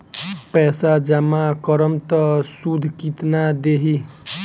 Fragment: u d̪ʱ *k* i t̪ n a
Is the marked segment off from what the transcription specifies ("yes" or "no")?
no